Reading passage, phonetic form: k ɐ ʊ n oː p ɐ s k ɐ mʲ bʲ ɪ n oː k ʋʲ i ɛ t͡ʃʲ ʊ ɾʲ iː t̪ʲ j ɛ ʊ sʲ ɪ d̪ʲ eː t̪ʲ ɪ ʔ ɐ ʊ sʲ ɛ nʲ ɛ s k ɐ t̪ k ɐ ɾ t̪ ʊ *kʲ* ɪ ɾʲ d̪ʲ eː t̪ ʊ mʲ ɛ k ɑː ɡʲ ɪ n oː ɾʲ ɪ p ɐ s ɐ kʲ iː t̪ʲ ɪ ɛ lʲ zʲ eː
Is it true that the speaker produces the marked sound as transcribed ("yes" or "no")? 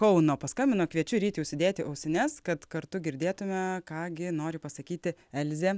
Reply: no